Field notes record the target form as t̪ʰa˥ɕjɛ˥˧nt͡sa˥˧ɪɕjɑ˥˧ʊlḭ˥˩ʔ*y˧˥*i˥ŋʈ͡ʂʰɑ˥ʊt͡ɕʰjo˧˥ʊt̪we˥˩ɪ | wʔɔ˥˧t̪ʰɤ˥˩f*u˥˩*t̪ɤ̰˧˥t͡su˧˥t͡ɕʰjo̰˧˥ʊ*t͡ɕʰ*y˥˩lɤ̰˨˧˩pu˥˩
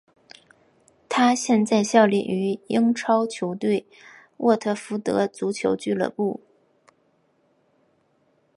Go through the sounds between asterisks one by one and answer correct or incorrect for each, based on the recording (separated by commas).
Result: correct, incorrect, incorrect